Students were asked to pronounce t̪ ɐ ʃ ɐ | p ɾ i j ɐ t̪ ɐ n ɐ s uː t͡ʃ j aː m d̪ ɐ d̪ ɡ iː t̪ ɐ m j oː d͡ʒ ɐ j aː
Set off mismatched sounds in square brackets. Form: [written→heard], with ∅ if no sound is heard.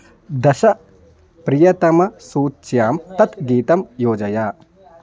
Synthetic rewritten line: [t̪→d̪] ɐ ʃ ɐ | p ɾ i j ɐ t̪ ɐ [n→m] ɐ s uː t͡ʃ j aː m [d̪→t̪] ɐ [d̪→t̪] ɡ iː t̪ ɐ m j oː d͡ʒ ɐ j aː

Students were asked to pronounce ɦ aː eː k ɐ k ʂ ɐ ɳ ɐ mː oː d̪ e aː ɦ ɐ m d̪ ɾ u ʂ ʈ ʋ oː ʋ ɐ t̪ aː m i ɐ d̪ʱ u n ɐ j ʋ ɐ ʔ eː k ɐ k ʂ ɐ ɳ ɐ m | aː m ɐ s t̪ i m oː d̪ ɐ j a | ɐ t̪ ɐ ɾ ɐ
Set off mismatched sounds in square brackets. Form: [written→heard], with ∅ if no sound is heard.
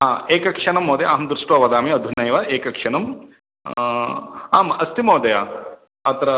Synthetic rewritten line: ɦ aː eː k ɐ k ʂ ɐ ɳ ɐ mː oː d̪ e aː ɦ ɐ m d̪ ɾ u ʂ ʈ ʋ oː ʋ ɐ [t̪→d̪] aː m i ɐ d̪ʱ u n ɐ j ʋ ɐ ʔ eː k ɐ k ʂ ɐ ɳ ɐ m | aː m ɐ s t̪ i m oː d̪ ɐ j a | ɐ t̪ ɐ ɾ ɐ

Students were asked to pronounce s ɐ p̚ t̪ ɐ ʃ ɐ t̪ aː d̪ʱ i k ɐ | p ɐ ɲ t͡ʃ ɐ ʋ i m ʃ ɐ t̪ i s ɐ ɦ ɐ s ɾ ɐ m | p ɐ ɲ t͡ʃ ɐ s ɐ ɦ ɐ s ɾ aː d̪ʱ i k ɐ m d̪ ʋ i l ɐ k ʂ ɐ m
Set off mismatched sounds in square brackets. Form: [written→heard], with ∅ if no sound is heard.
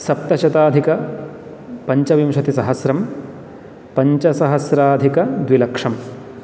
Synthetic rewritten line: s ɐ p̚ t̪ ɐ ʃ ɐ t̪ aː d̪ʱ i k ɐ | p ɐ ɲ t͡ʃ ɐ ʋ i m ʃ ɐ t̪ i s ɐ ɦ ɐ s ɾ ɐ m | p ɐ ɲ t͡ʃ ɐ s ɐ ɦ ɐ s ɾ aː d̪ʱ i k ɐ [m→∅] d̪ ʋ i l ɐ k ʂ ɐ m

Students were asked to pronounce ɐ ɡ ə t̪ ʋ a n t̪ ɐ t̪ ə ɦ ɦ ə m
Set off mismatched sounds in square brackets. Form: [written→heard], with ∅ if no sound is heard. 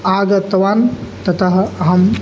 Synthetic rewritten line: [ɐ→a] ɡ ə t̪ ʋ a n t̪ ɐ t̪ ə ɦ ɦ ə m

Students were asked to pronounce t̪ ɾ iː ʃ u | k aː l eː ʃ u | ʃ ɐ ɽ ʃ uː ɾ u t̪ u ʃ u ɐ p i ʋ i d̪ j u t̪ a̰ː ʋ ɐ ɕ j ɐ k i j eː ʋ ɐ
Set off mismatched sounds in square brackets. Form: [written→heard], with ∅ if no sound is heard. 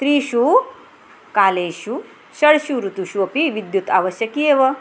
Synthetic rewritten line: t̪ ɾ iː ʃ u | k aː l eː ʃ u | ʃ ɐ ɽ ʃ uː ɾ u t̪ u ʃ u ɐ p i ʋ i d̪ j u t̪ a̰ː ʋ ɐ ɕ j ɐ k i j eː ʋ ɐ

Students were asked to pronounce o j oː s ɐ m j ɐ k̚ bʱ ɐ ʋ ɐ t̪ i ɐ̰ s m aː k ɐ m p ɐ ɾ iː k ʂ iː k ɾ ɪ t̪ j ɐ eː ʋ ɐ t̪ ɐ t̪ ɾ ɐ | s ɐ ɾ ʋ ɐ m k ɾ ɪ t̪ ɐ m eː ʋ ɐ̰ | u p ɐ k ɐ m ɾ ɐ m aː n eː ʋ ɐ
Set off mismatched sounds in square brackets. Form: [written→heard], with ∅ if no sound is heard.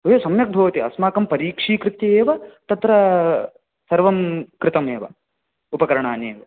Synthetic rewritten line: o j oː s ɐ m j ɐ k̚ bʱ ɐ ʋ ɐ t̪ i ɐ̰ s m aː k ɐ m p ɐ ɾ iː k ʂ iː k ɾ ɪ t̪ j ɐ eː ʋ ɐ t̪ ɐ t̪ ɾ ɐ | s ɐ ɾ ʋ ɐ m k ɾ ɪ t̪ ɐ m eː ʋ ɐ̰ | u p ɐ k ɐ [m→∅] ɾ ɐ [m→ɳ] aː n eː ʋ ɐ

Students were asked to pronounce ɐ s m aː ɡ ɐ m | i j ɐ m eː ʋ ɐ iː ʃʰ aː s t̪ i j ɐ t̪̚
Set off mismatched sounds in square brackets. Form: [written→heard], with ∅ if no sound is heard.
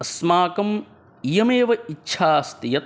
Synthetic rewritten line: ɐ s m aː [ɡ→k] ɐ m | i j ɐ m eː ʋ ɐ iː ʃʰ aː s t̪ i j ɐ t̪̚

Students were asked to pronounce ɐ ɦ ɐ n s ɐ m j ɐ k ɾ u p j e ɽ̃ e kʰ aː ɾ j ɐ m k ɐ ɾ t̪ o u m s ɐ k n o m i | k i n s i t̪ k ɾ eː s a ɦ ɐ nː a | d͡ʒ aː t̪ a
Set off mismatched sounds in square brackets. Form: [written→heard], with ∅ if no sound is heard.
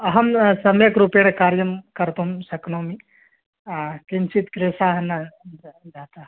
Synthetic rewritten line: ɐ ɦ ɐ [n→m] s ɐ m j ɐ k ɾ u p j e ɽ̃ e [kʰ→k] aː ɾ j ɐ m k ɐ ɾ t̪ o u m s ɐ k n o m i | k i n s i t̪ k ɾ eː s a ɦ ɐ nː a | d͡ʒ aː t̪ a

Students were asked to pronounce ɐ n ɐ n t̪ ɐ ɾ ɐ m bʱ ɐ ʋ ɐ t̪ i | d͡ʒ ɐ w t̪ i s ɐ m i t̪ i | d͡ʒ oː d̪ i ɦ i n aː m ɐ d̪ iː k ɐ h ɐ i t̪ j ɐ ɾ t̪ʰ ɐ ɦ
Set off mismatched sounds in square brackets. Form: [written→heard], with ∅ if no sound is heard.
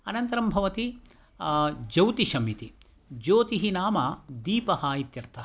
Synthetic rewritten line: ɐ n ɐ n t̪ ɐ ɾ ɐ m bʱ ɐ ʋ ɐ t̪ i | d͡ʒ ɐ w t̪ i [s→ʃ] ɐ m i t̪ i | d͡ʒ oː [d̪→t̪] i ɦ i n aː m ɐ d̪ iː [k→p] ɐ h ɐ i t̪ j ɐ ɾ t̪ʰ ɐ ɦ

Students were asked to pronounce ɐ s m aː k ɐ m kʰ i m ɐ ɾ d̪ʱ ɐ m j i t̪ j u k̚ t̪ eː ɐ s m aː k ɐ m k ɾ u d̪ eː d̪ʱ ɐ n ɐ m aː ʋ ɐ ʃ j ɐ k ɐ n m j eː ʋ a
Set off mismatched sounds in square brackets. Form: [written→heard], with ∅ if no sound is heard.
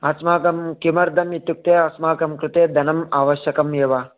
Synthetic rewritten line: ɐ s m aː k ɐ m [kʰ→k] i m ɐ ɾ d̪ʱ ɐ m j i t̪ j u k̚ t̪ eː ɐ s m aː k ɐ m k ɾ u [d̪→t̪] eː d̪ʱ ɐ n ɐ m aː ʋ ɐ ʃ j ɐ k ɐ [n→∅] m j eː ʋ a

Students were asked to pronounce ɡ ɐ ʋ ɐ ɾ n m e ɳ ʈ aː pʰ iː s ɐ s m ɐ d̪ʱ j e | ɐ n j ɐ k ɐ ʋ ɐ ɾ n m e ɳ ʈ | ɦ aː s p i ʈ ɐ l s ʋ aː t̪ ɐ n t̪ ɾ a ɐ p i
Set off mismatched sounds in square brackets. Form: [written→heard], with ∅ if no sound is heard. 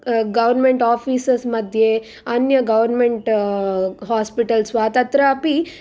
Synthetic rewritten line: ɡ ɐ ʋ ɐ ɾ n m e ɳ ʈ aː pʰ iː s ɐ s m ɐ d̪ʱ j e | ɐ n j ɐ [k→ɡ] ɐ ʋ ɐ ɾ n m e ɳ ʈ | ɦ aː s p i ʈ ɐ l s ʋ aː t̪ ɐ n t̪ ɾ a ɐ p i

